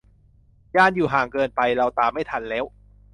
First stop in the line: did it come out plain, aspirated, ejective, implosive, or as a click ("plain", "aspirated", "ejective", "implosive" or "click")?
plain